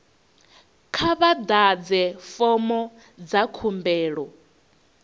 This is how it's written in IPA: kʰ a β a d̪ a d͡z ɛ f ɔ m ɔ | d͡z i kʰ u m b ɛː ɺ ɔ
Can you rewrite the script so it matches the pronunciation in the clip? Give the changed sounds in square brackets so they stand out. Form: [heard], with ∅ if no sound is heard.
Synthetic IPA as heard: kʰ a β a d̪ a d͡z ɛ f ɔ m ɔ | d͡z [a] kʰ u m b ɛː ɺ ɔ